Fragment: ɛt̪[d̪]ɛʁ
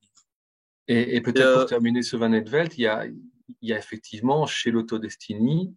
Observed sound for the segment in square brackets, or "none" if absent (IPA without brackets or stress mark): t̪